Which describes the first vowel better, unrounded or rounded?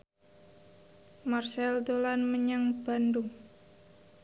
unrounded